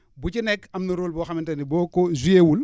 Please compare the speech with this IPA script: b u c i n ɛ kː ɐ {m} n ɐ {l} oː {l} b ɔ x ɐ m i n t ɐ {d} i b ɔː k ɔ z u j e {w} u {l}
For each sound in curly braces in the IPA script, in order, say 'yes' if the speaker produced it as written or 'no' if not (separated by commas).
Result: yes, no, yes, no, yes, yes